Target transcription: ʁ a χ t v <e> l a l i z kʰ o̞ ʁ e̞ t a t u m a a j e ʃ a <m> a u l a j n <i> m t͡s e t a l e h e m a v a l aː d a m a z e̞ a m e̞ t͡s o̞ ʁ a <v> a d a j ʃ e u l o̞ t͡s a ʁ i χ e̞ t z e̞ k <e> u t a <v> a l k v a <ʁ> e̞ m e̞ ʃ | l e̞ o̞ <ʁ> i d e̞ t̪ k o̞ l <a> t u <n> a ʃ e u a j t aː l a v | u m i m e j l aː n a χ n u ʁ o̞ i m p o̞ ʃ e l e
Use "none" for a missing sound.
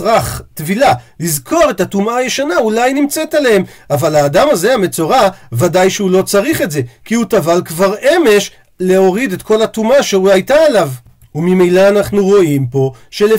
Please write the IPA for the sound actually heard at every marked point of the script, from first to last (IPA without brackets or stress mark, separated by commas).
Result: i, n, i, v, i, v, ʁ, ʁ, a, m